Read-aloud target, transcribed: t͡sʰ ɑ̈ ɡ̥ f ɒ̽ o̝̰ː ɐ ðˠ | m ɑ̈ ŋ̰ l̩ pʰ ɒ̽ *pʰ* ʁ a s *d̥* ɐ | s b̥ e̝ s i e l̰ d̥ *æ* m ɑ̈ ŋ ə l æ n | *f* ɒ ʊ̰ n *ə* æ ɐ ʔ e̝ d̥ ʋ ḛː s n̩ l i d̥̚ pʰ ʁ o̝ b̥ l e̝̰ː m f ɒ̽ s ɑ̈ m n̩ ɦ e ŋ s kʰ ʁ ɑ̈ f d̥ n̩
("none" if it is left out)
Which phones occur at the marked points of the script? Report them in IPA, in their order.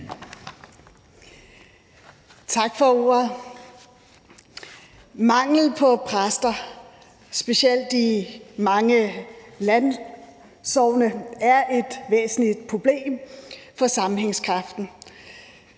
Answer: pʰ, d̥, i, s, ə

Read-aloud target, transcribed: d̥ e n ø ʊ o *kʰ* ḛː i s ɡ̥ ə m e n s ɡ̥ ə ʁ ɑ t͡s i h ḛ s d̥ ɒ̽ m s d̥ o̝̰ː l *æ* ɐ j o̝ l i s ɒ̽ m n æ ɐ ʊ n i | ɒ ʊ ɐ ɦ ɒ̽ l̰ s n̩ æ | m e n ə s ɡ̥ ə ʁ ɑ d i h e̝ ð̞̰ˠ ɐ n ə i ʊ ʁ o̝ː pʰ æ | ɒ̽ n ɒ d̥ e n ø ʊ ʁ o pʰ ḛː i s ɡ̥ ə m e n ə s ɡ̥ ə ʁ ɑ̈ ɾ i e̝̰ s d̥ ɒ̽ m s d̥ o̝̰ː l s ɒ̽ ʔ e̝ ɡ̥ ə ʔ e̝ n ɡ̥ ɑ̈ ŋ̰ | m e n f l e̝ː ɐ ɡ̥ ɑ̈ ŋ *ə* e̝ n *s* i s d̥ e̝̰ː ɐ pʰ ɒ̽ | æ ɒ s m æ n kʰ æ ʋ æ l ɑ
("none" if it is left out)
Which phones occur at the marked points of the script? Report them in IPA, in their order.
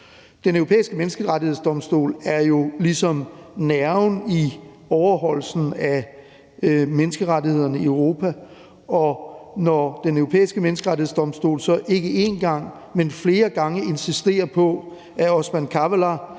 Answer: pʰ, æ, ə, s

